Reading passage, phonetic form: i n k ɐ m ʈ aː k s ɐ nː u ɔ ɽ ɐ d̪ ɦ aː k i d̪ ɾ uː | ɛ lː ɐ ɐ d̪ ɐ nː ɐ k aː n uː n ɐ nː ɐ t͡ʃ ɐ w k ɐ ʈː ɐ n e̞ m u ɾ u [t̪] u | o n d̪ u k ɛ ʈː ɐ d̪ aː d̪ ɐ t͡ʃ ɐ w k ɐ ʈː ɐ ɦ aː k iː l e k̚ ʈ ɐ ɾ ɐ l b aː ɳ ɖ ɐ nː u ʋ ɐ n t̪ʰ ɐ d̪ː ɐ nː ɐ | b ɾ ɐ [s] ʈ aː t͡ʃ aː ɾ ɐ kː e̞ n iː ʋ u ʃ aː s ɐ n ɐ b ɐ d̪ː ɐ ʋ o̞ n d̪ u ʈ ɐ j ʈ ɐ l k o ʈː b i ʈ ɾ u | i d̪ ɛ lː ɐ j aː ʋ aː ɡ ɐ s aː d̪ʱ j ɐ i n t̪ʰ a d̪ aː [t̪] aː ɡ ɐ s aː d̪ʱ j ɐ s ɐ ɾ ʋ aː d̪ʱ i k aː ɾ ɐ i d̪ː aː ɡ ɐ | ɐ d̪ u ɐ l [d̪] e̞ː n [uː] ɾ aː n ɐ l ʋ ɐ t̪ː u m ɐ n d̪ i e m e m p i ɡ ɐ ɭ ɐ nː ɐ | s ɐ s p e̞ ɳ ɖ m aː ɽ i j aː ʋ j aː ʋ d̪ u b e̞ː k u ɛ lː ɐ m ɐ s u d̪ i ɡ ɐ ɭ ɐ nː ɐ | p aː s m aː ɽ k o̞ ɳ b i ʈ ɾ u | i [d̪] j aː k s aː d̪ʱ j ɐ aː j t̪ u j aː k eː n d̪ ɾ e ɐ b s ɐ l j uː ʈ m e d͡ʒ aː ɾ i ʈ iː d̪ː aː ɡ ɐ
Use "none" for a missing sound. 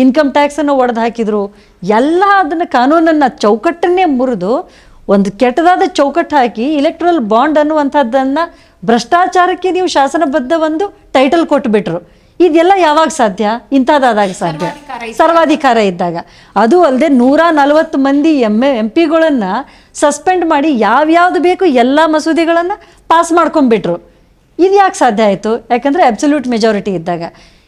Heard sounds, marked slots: d̪, ʂ, d̪, d̪, uː, d̪

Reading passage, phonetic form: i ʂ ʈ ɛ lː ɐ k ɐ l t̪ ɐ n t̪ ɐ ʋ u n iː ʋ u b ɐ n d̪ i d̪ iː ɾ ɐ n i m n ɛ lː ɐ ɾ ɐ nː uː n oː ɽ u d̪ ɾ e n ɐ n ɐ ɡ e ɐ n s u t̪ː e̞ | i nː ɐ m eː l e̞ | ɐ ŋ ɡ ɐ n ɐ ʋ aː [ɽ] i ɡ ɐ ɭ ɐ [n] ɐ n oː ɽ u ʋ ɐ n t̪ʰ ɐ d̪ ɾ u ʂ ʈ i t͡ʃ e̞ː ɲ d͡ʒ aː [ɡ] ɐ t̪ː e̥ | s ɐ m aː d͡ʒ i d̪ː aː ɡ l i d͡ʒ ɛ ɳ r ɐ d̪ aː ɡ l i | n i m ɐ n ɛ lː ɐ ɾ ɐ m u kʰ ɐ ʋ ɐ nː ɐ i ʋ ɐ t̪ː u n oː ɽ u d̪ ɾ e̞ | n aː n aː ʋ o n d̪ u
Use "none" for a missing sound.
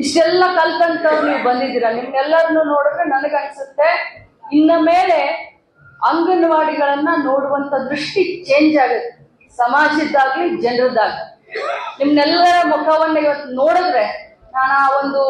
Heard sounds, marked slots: ɽ, nː, ɡ

